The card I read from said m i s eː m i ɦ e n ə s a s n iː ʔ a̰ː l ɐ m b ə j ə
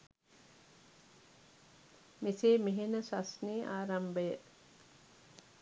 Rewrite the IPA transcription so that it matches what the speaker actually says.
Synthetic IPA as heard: m i s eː m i ɦ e n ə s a s n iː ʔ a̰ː ɾ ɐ m b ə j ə